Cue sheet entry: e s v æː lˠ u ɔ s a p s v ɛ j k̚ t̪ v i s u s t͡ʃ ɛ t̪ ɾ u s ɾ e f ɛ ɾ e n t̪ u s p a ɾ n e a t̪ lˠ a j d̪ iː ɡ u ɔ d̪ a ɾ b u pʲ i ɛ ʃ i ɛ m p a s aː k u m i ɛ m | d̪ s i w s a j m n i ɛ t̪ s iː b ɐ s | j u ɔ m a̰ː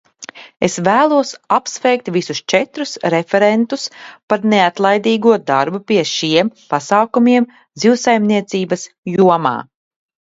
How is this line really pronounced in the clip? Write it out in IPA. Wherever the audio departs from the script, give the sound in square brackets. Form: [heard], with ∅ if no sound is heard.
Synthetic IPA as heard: e s v æː lˠ u ɔ s a p s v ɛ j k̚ t̪ v i s u s t͡ʃ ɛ t̪ ɾ u s ɾ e f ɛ ɾ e n t̪ u s p a ɾ n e a t̪ lˠ a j d̪ iː ɡ u ɔ d̪ a ɾ b u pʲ i ɛ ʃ i ɛ m p a s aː k u m i ɛ m | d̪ [z] i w s a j m n i ɛ t̪ s iː b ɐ s | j u ɔ m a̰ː